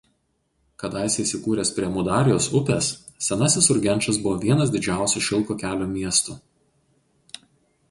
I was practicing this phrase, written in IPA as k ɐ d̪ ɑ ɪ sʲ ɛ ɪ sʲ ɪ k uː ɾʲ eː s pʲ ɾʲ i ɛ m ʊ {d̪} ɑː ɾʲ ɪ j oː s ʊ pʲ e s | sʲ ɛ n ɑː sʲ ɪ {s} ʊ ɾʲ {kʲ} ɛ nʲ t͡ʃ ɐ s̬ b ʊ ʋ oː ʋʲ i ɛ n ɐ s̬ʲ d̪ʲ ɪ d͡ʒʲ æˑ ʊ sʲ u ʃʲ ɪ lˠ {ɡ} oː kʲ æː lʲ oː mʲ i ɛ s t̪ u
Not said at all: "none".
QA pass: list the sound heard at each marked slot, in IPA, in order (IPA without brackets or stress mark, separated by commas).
d̪, s, ɡʲ, k